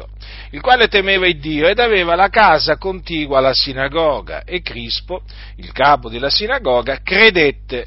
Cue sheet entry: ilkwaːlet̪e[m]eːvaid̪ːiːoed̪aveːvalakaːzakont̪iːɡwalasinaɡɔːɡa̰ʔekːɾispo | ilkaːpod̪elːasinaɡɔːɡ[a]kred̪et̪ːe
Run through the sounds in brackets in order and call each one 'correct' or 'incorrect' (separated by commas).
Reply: correct, correct